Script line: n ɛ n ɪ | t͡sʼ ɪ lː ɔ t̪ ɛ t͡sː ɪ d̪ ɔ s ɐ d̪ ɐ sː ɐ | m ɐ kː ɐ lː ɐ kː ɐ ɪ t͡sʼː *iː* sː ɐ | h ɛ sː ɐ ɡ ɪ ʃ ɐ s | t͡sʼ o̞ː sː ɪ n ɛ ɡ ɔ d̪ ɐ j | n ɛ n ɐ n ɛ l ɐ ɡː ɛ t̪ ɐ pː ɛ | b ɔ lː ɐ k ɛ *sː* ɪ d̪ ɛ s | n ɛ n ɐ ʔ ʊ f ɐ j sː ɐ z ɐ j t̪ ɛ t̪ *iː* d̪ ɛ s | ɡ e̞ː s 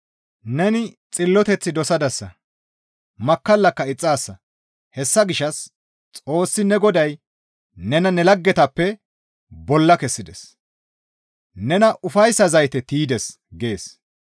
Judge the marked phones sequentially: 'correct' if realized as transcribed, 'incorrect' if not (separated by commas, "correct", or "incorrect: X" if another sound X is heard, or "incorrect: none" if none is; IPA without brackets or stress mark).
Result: incorrect: aː, correct, correct